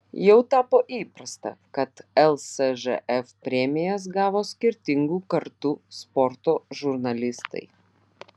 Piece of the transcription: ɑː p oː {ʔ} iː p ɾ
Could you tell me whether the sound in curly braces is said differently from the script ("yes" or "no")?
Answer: no